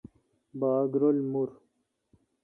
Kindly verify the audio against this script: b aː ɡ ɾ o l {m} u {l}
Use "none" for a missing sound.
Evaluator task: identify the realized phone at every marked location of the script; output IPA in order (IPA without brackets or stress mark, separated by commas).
m, ɾ